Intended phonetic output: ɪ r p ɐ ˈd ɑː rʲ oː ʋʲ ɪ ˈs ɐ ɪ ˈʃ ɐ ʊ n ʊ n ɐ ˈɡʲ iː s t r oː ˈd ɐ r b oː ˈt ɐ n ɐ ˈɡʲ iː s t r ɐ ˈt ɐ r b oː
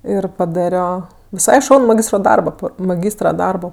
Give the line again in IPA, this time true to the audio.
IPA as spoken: ɪ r p ɐ ˈd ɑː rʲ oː ʋʲ ɪ ˈs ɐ ɪ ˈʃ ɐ ʊ n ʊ m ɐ ˈɡʲ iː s t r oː ˈd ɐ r b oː ˈp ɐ m ɐ ˈɡʲ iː s t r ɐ ˈd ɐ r b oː